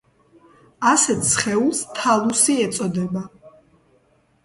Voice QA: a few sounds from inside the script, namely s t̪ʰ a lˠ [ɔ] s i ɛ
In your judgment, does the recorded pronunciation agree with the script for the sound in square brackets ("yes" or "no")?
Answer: no